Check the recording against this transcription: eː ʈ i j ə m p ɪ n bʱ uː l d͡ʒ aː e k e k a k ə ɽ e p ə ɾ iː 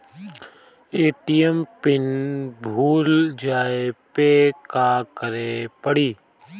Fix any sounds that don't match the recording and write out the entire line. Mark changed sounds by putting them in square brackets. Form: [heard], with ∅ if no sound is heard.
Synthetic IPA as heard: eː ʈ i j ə m p ɪ n bʱ uː l d͡ʒ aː e [p] e k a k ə [ɾ] e p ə [ɽ] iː